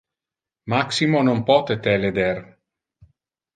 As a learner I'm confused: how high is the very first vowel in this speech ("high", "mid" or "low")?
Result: low